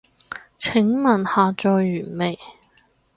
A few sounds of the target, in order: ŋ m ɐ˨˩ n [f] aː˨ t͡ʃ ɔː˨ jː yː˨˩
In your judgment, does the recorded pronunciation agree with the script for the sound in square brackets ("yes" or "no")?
no